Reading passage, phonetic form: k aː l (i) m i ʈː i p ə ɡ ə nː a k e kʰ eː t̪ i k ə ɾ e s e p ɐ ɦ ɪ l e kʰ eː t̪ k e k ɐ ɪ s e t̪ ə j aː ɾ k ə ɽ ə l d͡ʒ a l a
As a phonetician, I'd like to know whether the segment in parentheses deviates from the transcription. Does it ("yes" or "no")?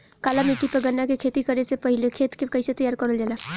yes